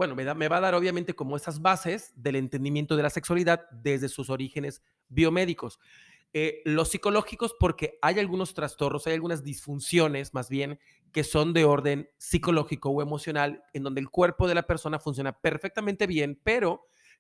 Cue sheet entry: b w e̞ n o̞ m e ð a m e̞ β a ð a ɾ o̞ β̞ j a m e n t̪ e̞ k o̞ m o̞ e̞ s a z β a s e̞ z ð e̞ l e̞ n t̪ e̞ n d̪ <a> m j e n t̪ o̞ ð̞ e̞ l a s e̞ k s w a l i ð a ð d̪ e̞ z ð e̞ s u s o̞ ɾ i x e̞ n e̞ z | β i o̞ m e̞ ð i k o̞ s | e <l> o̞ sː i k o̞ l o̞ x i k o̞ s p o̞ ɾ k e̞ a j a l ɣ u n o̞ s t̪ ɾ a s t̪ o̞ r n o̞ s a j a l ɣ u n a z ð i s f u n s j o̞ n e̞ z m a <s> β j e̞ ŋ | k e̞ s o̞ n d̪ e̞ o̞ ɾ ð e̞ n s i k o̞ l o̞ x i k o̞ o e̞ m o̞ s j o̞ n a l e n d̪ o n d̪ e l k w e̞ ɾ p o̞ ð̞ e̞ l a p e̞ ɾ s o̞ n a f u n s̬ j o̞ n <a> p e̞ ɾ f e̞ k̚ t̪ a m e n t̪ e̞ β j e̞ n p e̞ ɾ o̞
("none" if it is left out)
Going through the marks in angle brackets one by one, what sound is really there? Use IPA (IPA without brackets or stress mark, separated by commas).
i, l, z, a